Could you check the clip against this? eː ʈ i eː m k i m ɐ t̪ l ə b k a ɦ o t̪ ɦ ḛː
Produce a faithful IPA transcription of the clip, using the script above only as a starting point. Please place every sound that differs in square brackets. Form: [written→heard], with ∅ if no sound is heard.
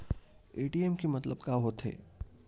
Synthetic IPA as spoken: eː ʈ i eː m k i m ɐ t̪ l ə b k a ɦ o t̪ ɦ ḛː